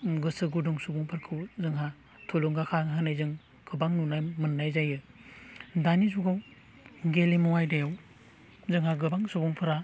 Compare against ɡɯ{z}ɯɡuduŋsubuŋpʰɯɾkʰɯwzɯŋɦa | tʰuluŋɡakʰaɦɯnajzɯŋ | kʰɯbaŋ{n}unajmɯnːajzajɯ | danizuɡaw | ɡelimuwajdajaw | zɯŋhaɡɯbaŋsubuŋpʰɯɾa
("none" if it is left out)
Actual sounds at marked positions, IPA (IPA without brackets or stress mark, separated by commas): s, n